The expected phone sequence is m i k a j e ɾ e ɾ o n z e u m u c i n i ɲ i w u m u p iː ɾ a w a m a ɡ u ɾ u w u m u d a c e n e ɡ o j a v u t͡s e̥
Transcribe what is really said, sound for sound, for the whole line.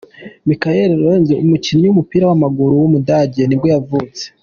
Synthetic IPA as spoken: m i k a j e ɾ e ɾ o n z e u m u c i n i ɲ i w u m u p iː ɾ a w a m a ɡ u ɾ u w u m u d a ɟ e n i ɡ o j a v u t͡s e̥